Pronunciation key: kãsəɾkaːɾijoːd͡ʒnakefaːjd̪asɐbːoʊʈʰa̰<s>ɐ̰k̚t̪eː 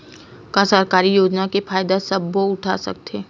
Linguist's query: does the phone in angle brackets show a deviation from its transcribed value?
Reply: no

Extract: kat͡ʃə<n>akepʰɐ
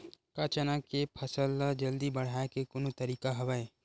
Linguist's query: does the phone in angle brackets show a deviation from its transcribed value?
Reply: no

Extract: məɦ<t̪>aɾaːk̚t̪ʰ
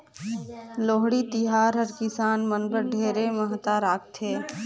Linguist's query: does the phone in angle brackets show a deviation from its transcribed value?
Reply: no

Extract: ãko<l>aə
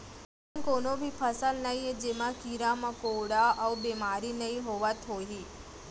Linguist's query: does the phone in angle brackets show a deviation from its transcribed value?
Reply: yes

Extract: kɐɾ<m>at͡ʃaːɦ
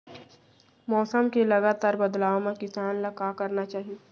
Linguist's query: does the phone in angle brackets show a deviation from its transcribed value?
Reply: yes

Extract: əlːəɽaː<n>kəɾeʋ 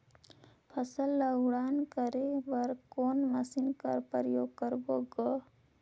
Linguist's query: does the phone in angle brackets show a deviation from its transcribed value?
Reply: no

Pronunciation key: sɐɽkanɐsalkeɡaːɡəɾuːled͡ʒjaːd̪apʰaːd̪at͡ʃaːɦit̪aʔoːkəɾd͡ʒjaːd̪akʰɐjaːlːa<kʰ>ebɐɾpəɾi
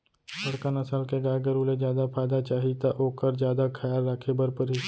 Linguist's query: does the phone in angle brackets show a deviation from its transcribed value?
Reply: no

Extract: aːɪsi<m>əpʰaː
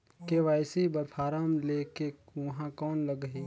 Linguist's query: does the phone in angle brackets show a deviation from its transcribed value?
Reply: yes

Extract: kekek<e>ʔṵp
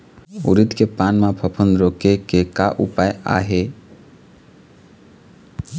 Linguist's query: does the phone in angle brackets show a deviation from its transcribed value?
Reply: yes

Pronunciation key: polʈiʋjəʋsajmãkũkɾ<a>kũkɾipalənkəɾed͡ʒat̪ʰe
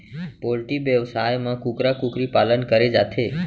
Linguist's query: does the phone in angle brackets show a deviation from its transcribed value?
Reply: no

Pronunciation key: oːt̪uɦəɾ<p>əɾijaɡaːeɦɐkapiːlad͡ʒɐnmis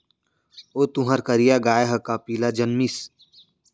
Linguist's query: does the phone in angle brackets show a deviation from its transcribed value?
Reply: yes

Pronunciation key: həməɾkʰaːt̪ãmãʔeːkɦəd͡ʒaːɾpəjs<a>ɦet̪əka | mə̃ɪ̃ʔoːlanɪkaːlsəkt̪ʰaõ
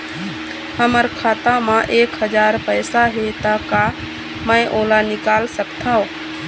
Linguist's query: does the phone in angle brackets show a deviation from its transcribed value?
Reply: no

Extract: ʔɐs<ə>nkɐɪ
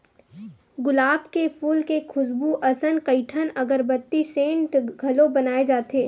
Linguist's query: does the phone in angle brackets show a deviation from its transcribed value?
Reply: no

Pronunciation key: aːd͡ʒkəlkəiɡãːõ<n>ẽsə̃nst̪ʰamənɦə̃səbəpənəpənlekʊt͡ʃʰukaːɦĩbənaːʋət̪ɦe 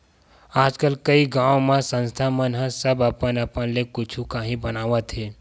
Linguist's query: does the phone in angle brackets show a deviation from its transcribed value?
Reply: yes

